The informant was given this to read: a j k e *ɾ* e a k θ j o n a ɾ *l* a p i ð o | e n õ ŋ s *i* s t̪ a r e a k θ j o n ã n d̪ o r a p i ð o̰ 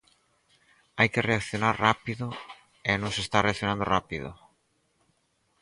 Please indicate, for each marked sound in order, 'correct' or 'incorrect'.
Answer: incorrect: r, incorrect: r, incorrect: e

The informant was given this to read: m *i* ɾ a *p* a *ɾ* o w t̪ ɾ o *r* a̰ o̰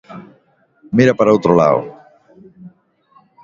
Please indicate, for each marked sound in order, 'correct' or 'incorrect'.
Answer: correct, correct, correct, incorrect: l

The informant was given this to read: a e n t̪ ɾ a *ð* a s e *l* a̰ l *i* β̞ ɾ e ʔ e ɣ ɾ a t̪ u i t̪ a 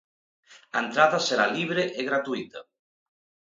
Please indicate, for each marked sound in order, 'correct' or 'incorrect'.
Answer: correct, incorrect: ɾ, correct

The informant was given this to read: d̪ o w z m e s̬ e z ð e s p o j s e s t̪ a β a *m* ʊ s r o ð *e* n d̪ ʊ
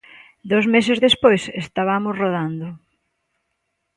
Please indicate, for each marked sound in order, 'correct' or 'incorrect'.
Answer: correct, incorrect: a

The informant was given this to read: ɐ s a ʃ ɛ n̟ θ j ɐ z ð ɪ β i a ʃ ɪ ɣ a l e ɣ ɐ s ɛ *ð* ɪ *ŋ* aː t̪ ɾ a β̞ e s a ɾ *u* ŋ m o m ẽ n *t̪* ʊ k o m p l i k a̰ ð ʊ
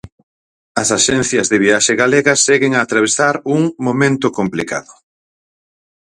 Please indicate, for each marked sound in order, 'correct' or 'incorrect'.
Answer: incorrect: ɣ, correct, correct, correct

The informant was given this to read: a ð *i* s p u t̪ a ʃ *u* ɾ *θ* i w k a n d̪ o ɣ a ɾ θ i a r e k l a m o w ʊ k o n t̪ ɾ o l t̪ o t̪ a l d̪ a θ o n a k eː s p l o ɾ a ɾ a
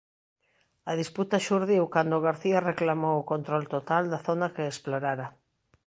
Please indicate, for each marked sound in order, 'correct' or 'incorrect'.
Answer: correct, correct, incorrect: ð

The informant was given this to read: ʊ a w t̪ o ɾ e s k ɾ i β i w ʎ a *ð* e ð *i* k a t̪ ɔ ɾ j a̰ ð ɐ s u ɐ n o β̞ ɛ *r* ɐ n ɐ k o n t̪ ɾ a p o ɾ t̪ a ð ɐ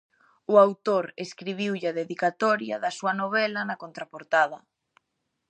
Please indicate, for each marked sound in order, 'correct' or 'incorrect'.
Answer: correct, correct, incorrect: l

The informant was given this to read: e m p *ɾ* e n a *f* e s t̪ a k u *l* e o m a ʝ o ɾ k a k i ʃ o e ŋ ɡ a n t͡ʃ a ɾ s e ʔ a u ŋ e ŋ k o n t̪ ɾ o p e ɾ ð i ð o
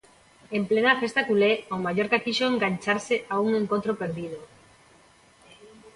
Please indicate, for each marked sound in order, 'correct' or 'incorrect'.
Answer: incorrect: l, correct, correct

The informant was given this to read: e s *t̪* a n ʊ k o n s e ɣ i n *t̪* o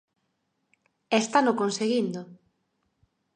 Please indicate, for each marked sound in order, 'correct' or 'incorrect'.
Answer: correct, incorrect: d̪

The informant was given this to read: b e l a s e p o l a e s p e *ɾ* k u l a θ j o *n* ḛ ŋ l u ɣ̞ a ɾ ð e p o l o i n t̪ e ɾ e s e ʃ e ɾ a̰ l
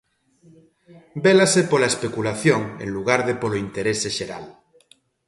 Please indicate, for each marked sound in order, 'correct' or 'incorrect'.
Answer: incorrect: none, incorrect: ŋ

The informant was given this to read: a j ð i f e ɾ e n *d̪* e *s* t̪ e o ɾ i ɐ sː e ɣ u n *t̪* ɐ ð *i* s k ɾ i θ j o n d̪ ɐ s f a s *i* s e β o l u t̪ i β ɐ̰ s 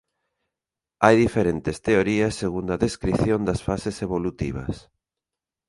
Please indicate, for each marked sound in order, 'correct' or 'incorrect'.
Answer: incorrect: t̪, correct, incorrect: d̪, incorrect: e, incorrect: e

